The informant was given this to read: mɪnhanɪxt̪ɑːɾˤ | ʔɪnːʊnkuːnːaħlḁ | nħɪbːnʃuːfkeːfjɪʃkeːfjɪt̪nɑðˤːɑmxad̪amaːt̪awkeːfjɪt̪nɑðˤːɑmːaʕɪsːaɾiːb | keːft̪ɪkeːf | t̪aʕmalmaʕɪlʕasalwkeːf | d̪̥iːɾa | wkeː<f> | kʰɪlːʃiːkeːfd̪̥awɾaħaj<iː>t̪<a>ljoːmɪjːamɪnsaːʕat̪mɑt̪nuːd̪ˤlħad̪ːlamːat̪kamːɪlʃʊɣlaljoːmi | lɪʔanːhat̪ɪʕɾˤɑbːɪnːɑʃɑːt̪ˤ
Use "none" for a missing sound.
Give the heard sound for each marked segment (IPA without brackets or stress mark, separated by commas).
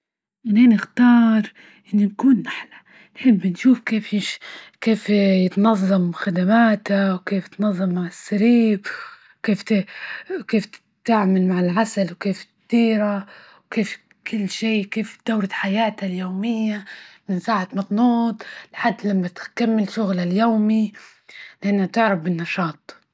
f, aː, a